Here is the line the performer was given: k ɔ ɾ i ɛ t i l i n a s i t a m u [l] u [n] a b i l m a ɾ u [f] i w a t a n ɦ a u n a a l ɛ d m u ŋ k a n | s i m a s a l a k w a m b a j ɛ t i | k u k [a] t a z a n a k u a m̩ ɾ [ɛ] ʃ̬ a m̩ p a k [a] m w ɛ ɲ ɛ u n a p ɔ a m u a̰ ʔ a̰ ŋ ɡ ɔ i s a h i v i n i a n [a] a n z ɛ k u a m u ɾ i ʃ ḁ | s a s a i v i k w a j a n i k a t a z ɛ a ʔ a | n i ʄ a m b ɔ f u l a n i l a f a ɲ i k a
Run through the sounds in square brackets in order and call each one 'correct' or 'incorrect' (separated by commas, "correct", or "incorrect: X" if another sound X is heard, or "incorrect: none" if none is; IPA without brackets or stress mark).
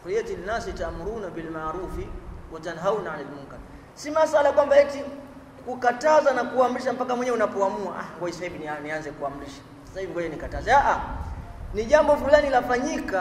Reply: incorrect: ɾ, correct, correct, correct, incorrect: i, correct, incorrect: i